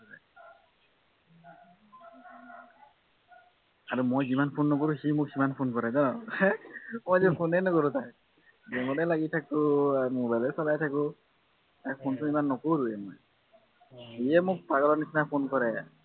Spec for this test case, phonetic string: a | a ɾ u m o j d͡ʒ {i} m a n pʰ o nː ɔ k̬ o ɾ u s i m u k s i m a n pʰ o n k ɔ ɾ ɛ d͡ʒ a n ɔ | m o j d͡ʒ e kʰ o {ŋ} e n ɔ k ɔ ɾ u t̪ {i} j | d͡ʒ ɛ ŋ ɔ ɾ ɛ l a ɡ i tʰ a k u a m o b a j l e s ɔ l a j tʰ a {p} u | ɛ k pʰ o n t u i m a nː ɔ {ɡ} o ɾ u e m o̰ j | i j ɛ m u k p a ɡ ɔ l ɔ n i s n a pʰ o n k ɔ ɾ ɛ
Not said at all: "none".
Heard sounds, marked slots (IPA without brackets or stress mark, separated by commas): i, n, a, k, k